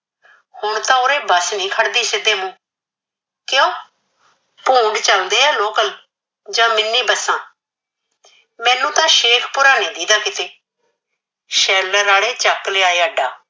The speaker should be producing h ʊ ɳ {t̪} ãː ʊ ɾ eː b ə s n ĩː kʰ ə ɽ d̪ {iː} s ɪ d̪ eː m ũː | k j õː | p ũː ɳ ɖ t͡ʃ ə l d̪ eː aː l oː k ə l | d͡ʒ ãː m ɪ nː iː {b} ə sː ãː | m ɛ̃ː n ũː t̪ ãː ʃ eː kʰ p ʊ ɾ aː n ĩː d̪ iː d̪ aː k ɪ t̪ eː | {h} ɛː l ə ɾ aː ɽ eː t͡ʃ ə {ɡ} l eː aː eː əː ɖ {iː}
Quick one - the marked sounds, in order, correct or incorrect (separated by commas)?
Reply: correct, correct, correct, incorrect, incorrect, incorrect